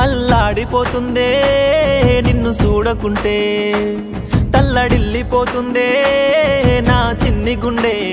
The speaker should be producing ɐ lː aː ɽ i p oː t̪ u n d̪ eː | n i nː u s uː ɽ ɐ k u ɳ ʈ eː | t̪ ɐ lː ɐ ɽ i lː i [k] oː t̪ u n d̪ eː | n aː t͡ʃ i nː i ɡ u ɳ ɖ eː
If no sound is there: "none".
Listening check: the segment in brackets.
p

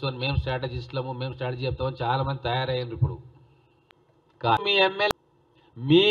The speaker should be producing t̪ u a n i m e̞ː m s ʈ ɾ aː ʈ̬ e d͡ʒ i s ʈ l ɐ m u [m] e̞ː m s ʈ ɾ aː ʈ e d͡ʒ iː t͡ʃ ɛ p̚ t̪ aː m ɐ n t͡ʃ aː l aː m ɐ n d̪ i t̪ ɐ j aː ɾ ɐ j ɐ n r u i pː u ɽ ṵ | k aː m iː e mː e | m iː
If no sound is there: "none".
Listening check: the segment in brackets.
m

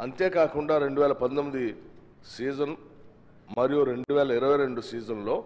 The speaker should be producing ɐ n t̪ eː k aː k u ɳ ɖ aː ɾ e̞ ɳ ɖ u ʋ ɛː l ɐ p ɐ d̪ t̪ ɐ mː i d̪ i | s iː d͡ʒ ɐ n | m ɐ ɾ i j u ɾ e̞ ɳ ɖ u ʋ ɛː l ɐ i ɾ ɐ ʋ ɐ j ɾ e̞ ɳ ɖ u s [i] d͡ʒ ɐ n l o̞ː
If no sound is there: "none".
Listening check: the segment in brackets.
iː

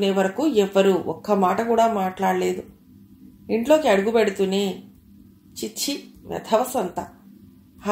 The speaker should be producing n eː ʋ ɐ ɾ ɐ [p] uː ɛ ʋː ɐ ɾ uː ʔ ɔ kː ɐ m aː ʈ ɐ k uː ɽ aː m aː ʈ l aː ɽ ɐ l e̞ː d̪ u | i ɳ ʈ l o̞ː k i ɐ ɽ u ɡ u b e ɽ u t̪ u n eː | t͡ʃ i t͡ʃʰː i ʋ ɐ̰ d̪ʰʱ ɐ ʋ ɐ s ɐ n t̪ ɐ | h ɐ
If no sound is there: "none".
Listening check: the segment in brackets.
k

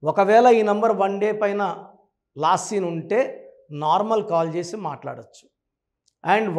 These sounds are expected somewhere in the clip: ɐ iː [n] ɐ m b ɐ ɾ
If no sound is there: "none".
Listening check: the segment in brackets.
n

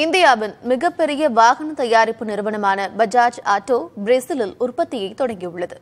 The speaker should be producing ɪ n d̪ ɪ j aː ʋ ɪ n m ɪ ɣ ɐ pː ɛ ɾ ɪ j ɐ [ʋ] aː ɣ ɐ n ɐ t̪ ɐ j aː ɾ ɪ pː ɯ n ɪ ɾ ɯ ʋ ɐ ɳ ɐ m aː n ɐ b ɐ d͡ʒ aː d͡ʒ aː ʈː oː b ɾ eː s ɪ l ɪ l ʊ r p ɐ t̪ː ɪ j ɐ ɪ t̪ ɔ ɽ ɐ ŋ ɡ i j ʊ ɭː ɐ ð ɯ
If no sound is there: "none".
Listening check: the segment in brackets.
ʋ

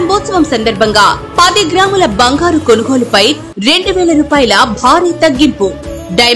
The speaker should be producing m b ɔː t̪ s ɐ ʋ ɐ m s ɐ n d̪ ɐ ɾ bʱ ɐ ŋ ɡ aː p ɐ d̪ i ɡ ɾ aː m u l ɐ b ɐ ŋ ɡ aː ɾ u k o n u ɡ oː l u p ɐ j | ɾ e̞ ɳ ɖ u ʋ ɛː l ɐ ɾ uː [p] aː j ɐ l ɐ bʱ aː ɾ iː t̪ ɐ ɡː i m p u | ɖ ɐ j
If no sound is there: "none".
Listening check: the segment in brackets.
p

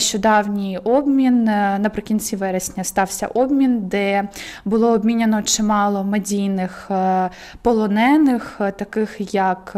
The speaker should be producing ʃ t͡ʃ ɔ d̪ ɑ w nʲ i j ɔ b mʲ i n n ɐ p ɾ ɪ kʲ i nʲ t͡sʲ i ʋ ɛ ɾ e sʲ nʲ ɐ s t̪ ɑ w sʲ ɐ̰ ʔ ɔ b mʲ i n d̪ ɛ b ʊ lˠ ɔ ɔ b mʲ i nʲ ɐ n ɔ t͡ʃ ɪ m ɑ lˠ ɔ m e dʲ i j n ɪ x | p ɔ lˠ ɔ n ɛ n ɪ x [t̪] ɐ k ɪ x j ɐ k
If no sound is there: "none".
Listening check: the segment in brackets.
t̪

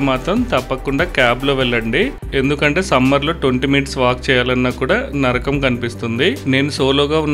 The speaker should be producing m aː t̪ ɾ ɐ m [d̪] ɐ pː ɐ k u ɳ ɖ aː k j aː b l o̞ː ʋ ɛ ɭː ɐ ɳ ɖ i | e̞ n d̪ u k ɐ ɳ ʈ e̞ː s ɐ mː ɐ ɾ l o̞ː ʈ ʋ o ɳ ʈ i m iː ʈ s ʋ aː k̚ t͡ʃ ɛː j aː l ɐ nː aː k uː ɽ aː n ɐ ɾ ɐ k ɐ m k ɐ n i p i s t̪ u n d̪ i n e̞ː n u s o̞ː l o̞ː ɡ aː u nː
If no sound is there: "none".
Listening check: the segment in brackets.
t̪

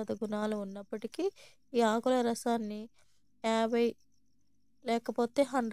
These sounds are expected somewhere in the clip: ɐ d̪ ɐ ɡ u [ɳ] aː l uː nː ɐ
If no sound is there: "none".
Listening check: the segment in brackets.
n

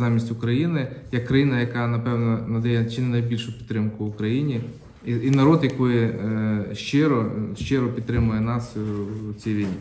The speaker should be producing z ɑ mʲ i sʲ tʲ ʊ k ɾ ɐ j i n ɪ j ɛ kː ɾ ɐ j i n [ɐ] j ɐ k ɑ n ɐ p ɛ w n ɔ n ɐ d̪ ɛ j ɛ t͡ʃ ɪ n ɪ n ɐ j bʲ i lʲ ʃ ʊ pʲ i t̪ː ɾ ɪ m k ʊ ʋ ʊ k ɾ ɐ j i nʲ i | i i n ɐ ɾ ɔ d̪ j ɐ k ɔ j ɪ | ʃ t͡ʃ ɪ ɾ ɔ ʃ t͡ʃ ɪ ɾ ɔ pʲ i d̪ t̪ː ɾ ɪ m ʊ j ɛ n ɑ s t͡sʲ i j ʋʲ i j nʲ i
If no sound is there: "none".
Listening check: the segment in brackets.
ɐ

